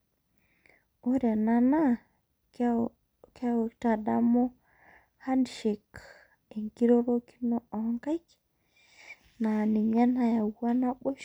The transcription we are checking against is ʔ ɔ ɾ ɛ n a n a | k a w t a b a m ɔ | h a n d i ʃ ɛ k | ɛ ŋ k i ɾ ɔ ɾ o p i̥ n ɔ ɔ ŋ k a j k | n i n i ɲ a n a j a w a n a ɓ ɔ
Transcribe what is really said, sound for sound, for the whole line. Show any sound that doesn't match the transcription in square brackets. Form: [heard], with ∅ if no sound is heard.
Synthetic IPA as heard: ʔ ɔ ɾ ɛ n a n a | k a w t a [d] a m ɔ | h a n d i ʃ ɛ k | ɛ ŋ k i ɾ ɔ ɾ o [k] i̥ n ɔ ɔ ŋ k a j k | n [a] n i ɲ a n a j a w a n a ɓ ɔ